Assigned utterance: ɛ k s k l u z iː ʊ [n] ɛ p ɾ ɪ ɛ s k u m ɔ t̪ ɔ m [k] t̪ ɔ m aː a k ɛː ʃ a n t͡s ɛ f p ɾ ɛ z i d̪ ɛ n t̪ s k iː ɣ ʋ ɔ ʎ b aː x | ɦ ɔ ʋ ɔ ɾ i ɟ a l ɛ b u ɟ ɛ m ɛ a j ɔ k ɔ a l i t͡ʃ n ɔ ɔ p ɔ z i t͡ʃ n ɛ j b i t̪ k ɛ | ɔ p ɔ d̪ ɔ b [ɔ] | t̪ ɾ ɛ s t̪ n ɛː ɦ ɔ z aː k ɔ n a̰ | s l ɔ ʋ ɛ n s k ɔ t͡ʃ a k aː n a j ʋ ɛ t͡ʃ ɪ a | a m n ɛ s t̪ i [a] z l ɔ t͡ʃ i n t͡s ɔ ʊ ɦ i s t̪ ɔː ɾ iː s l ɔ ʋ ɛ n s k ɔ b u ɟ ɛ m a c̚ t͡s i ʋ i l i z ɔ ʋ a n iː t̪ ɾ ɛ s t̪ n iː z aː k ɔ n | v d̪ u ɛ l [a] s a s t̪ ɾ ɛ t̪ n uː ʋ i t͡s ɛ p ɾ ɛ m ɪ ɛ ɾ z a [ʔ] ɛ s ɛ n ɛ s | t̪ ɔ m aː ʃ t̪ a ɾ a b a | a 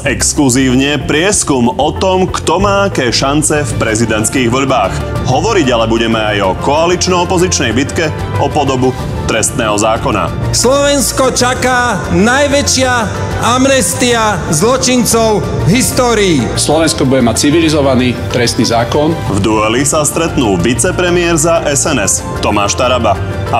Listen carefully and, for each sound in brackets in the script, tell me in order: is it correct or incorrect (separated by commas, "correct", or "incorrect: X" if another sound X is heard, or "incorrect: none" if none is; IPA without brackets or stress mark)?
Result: incorrect: ɲ, correct, incorrect: u, correct, incorrect: i, correct